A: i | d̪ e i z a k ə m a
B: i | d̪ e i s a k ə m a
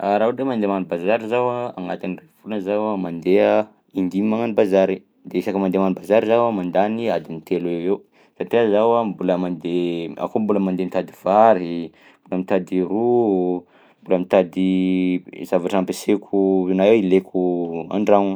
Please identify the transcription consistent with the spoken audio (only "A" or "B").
B